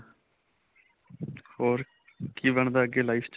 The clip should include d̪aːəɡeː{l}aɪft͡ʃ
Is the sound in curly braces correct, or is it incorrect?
correct